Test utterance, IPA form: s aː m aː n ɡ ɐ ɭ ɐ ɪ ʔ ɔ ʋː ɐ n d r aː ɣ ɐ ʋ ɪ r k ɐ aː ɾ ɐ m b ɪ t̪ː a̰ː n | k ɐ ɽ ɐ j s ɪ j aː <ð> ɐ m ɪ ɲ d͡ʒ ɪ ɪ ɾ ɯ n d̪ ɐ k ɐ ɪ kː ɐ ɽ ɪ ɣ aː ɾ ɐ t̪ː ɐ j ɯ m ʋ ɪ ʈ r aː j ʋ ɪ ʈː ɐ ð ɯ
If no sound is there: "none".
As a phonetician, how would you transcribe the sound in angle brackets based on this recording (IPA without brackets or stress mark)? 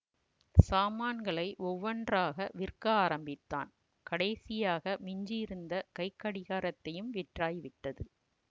ɣ